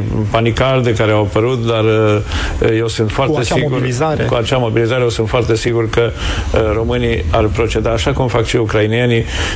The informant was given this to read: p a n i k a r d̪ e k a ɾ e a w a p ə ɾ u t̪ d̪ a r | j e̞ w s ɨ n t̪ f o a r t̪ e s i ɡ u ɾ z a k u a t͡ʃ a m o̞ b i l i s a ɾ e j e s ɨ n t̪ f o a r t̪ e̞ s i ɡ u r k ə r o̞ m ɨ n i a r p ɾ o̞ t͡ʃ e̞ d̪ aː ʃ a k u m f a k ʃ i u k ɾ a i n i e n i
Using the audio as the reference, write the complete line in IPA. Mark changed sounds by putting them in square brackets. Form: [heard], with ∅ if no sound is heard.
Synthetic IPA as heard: p a n i k a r d̪ e k a ɾ e a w a p ə ɾ u t̪ d̪ a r | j e̞ w s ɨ n t̪ f o a r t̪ e s i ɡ u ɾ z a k u a t͡ʃ a m o̞ b i l i [z] a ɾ e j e s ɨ n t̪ f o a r t̪ e̞ s i ɡ u r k ə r o̞ m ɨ n i a r p ɾ o̞ t͡ʃ e̞ d̪ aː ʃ a k u m f a k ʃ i u k ɾ a i n i e n i